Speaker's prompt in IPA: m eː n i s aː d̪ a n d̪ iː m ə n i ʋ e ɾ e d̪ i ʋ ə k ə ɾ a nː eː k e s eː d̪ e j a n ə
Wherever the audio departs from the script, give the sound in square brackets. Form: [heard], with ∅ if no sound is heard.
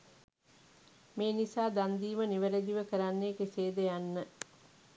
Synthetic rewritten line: m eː n i s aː d̪ a n d̪ iː m ə n i ʋ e ɾ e d̪ i ʋ ə k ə ɾ a nː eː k e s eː d̪ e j a [nː] ə